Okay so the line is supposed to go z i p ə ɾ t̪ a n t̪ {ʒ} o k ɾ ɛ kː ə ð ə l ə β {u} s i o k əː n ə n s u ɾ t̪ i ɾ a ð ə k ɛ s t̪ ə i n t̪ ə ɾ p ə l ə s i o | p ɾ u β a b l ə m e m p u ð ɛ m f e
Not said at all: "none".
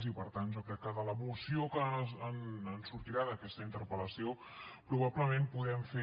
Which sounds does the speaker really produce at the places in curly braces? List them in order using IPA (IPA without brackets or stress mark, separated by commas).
ʒ, u